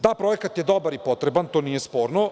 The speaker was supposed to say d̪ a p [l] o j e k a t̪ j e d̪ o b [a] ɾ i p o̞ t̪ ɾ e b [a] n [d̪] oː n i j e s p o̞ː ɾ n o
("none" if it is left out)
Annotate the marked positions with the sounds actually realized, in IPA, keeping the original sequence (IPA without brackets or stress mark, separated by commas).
ɾ, a, a, t̪